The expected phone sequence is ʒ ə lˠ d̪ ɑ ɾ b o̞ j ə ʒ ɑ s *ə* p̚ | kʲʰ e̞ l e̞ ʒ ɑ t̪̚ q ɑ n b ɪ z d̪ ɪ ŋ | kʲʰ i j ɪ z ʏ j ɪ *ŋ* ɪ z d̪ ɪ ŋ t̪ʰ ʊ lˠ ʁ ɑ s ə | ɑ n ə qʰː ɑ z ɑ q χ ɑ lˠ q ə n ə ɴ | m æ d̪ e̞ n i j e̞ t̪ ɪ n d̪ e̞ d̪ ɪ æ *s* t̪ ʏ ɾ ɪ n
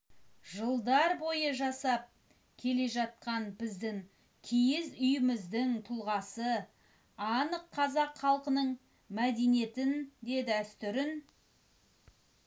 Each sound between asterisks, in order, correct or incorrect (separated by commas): incorrect, incorrect, correct